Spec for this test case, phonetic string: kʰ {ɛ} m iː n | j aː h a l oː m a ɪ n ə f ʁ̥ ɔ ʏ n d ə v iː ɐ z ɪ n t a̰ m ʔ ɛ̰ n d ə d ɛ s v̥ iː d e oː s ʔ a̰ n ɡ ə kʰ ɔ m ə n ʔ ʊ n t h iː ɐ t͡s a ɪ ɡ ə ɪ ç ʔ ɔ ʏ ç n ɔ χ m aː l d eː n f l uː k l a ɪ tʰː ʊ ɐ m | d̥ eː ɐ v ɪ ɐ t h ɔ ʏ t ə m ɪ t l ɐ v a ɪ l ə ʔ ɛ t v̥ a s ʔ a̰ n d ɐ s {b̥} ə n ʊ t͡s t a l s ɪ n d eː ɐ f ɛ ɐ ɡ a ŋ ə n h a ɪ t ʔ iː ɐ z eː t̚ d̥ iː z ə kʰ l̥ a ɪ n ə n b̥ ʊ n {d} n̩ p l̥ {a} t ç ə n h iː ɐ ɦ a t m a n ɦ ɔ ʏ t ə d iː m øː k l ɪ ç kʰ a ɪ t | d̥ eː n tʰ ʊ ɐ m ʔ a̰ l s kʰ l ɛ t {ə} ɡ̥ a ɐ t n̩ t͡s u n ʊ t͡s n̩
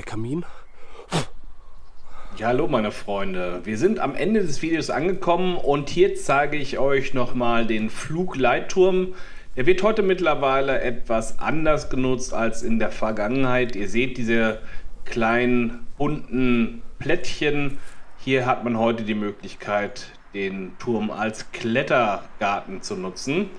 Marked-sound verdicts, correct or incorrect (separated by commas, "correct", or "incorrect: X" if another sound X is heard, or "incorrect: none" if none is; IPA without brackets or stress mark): incorrect: a, incorrect: ɡ̥, incorrect: t, incorrect: ɛ, incorrect: ɐ